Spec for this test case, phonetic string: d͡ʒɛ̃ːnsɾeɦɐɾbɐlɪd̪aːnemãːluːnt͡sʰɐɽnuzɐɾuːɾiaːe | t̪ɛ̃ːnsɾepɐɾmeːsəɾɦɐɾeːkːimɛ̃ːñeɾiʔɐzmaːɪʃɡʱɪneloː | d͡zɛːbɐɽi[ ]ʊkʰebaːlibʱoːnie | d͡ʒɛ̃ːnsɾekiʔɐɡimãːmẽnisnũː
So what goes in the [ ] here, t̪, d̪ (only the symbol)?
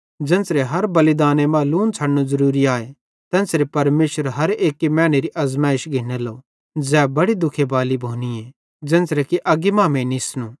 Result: d̪